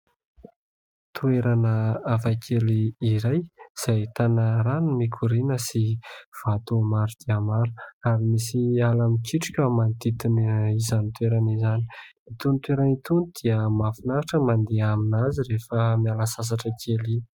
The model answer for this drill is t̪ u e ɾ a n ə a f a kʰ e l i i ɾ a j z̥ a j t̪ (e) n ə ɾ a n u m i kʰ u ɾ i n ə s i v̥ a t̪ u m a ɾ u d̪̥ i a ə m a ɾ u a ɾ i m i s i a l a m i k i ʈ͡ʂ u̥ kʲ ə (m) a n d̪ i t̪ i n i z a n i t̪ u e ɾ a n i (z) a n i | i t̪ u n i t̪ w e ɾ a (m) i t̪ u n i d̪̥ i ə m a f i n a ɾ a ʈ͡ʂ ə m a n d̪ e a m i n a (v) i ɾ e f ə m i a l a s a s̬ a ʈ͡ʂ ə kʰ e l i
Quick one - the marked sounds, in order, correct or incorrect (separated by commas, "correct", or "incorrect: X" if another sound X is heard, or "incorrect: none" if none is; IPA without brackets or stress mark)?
incorrect: a, correct, correct, incorrect: n, incorrect: z